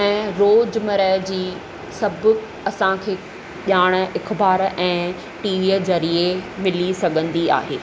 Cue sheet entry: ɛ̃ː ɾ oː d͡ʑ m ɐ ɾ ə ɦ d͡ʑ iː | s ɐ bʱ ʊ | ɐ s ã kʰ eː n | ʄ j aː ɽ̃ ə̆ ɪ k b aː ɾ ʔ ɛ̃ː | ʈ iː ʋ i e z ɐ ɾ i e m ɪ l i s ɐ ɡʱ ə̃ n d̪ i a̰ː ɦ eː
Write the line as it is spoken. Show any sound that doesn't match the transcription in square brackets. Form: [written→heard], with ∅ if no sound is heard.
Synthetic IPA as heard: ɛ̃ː ɾ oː d͡ʑ m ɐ ɾ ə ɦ d͡ʑ iː | s ɐ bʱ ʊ | ɐ s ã kʰ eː [n→∅] | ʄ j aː ɽ̃ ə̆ ɪ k b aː ɾ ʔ ɛ̃ː | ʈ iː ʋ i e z ɐ ɾ i e m ɪ l i s ɐ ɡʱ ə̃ n d̪ i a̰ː ɦ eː